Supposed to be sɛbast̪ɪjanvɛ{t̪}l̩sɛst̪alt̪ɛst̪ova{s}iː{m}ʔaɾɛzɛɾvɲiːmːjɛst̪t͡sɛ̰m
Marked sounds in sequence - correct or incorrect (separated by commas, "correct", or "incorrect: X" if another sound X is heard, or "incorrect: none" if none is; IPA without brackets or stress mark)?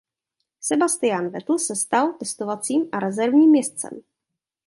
correct, incorrect: t͡s, correct